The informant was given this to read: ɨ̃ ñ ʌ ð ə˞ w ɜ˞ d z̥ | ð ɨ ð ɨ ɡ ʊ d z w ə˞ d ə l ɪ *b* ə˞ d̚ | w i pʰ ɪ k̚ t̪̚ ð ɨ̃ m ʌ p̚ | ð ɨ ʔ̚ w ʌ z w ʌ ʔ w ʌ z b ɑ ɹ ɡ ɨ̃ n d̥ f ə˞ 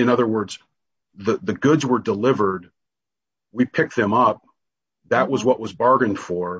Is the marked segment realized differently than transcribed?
yes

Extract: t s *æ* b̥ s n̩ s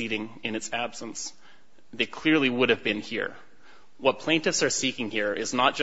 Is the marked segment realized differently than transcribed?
no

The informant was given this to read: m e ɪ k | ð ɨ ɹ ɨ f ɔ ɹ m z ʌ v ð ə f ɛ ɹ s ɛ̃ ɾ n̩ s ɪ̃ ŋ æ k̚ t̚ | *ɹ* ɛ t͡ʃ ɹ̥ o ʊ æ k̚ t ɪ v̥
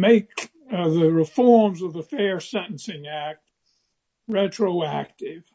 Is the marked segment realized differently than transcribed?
no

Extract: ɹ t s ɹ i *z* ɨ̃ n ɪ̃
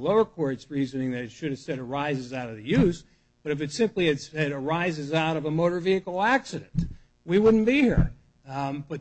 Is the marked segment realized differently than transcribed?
no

